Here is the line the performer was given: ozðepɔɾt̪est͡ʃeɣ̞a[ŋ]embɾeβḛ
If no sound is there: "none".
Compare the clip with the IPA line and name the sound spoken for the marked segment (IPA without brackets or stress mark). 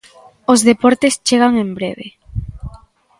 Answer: ŋ